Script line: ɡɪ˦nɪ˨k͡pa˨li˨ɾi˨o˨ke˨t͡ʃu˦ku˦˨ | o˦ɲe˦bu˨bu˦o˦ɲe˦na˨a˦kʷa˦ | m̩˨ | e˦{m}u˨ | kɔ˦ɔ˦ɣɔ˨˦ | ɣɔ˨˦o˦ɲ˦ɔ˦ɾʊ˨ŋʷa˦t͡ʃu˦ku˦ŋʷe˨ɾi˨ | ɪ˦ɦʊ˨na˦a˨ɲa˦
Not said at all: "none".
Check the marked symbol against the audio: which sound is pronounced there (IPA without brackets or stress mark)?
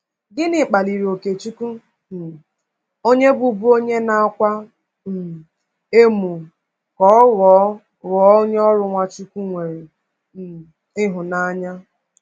m